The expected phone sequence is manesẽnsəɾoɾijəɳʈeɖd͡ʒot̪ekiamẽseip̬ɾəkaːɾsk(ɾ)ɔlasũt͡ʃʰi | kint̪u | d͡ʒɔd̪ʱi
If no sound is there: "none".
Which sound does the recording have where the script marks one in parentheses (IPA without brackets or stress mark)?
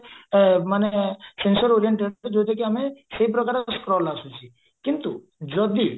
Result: ɾ